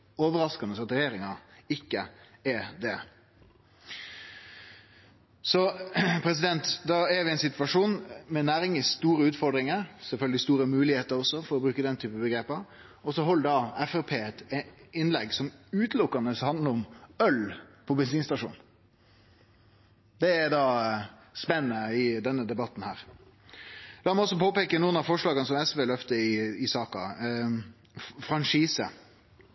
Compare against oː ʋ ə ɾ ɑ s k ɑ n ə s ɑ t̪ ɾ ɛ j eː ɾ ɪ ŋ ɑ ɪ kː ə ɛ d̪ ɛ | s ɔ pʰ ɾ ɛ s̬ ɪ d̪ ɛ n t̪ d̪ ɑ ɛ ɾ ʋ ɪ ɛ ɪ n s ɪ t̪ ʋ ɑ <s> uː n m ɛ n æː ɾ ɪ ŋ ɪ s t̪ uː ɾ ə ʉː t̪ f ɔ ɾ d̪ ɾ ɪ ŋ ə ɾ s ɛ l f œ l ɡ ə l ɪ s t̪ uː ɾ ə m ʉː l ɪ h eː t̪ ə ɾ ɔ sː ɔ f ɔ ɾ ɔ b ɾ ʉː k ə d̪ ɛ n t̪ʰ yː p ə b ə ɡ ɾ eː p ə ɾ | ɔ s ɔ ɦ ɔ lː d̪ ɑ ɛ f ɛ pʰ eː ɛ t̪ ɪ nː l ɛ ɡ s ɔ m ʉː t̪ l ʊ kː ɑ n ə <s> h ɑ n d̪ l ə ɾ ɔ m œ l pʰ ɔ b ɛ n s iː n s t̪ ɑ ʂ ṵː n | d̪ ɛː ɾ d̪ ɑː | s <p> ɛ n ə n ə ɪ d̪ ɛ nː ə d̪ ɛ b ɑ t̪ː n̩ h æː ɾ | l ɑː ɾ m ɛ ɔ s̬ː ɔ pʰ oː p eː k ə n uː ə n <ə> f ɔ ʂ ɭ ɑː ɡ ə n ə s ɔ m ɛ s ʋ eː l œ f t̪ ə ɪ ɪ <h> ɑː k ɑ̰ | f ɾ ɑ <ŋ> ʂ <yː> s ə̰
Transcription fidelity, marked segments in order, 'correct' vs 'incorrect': incorrect: ʂ, correct, correct, incorrect: ɑ, incorrect: s, incorrect: n, incorrect: iː

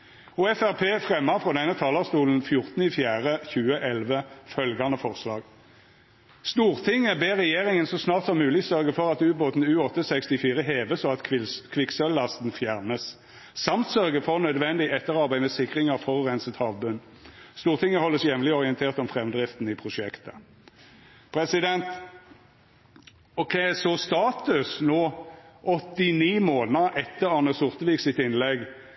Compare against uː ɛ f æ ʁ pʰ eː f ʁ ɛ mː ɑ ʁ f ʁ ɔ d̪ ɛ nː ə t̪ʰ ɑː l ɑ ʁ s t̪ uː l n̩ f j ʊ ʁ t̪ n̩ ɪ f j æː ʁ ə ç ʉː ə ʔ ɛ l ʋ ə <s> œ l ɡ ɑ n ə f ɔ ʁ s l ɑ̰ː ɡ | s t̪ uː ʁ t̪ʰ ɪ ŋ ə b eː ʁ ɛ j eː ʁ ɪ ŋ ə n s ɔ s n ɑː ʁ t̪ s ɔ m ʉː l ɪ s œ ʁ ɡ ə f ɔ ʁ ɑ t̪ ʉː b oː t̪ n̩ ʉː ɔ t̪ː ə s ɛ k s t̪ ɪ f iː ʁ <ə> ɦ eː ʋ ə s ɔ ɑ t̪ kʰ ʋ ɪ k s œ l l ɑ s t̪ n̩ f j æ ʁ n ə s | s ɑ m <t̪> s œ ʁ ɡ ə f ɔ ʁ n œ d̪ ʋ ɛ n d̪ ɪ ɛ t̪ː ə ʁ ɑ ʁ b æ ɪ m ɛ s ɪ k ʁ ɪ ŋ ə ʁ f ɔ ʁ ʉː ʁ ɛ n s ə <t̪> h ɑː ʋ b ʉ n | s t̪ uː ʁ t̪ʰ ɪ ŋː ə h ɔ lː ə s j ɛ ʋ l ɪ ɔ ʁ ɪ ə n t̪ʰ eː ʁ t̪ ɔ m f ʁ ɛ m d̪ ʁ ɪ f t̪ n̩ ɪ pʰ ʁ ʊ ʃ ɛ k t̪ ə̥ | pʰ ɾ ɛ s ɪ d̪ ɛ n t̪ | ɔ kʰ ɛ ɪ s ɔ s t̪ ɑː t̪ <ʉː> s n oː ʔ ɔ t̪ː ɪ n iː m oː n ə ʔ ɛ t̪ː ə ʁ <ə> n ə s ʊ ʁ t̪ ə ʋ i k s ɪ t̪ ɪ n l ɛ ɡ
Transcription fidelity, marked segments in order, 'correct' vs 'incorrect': incorrect: f, correct, correct, correct, incorrect: ʉ, incorrect: ɑ

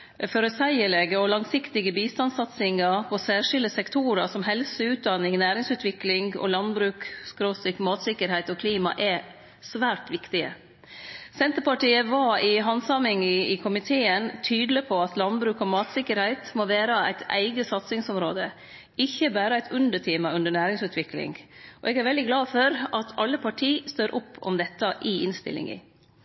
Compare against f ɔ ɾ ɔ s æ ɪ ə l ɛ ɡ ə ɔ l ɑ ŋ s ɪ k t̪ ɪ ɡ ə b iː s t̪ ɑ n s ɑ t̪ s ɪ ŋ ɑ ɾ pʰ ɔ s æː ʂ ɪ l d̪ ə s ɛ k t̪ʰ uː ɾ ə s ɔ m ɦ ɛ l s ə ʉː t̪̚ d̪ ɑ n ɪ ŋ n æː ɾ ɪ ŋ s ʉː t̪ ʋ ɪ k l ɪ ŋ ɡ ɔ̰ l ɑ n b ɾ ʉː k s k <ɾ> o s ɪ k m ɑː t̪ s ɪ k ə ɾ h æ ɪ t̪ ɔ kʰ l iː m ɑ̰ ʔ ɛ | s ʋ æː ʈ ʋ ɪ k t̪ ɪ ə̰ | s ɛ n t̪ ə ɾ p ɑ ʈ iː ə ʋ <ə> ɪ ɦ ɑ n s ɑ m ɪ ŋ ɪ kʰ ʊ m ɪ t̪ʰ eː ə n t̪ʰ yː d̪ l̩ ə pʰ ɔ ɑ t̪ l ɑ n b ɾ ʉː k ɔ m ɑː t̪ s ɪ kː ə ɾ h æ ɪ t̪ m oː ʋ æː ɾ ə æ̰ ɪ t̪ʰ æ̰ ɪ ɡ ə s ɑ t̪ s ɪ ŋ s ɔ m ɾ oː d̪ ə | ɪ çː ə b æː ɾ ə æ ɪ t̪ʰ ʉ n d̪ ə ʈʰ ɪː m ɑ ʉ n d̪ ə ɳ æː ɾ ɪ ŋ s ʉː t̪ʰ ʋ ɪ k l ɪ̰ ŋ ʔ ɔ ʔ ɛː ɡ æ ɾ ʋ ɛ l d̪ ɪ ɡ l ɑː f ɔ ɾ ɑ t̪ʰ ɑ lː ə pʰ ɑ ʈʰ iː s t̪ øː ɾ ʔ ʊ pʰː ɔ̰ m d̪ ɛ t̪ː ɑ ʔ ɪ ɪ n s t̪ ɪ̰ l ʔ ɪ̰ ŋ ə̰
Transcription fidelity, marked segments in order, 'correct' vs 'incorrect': correct, incorrect: ɑ

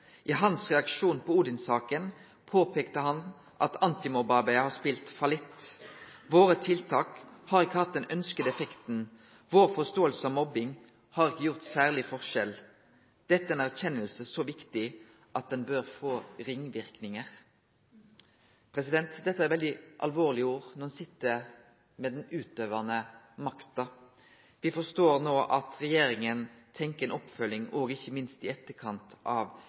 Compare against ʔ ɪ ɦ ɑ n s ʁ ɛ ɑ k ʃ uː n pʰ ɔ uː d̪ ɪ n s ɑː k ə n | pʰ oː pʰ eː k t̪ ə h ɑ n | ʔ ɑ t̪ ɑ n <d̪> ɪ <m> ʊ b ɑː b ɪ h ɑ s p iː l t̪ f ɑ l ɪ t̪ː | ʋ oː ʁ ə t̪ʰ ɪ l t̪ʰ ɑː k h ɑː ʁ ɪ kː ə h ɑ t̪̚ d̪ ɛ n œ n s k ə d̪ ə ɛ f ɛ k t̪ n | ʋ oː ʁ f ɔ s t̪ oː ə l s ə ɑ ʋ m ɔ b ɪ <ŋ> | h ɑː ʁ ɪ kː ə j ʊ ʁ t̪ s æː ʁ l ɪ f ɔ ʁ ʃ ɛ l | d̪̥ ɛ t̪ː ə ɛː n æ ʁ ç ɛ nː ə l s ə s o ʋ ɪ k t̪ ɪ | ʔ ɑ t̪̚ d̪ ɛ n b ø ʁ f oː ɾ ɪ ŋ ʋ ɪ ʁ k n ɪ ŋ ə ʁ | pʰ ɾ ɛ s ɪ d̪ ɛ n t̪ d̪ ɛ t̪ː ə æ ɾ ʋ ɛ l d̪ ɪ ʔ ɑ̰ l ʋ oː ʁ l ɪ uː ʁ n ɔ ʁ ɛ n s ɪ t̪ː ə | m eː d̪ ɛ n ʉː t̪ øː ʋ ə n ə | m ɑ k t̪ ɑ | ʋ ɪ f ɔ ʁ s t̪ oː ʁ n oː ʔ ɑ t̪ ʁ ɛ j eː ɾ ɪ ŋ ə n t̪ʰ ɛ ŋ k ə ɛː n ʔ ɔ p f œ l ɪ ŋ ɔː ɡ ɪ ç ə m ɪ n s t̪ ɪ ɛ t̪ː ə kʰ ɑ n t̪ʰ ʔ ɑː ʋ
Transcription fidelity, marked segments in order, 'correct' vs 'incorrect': incorrect: t̪, correct, correct

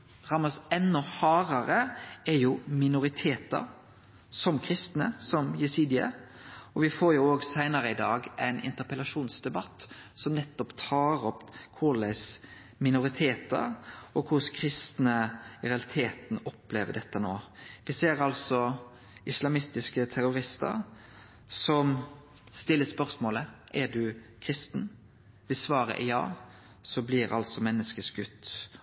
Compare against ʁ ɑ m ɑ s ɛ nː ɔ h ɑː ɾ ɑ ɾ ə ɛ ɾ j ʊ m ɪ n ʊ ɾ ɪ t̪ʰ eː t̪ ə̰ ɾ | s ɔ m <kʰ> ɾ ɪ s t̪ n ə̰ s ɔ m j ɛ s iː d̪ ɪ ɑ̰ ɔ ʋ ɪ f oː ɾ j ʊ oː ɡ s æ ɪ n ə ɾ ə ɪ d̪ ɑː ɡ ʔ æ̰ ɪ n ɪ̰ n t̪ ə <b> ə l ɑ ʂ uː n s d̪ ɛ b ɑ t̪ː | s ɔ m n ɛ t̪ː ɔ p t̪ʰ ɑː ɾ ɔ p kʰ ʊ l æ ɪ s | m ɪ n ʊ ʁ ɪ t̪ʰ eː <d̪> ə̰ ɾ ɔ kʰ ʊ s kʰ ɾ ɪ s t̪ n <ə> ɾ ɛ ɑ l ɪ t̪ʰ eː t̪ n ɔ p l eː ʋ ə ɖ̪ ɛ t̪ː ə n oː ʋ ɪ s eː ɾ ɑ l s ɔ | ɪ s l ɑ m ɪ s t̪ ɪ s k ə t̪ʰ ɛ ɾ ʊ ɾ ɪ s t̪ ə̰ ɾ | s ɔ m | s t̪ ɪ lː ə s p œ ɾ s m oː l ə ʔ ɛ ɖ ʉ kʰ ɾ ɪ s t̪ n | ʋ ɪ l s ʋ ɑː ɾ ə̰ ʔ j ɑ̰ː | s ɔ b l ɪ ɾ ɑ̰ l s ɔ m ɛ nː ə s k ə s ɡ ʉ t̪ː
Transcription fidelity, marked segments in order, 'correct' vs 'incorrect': correct, incorrect: p, incorrect: t̪, correct

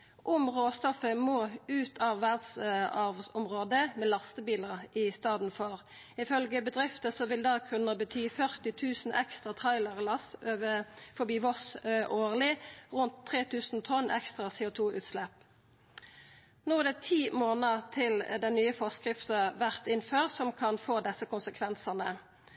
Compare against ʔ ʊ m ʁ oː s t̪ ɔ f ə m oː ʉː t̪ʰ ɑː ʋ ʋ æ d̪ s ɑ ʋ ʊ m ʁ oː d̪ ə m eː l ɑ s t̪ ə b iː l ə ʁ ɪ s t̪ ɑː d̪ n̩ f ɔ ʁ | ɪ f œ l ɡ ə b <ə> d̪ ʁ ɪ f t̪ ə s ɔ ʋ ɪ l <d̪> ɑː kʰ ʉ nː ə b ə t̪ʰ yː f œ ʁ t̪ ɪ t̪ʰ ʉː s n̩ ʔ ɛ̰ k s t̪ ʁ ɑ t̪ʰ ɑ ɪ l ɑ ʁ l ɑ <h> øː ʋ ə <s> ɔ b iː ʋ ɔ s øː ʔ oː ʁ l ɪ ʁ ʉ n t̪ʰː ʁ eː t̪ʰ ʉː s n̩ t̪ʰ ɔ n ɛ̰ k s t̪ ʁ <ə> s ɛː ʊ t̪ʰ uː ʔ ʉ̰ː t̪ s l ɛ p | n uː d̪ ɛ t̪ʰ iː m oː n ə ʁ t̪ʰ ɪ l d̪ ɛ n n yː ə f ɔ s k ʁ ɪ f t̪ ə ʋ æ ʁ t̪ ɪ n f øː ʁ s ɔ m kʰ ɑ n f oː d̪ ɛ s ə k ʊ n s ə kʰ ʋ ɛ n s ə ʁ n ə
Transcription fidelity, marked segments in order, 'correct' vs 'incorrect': correct, correct, incorrect: s, incorrect: f, incorrect: ɑ

